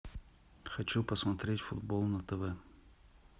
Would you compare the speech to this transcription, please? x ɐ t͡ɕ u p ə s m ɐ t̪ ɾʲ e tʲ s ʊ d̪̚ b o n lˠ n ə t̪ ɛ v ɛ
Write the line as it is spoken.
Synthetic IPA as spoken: x ɐ t͡ɕ u p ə s m ɐ t̪ ɾʲ e tʲ f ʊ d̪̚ b o lˠ n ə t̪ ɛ v ɛ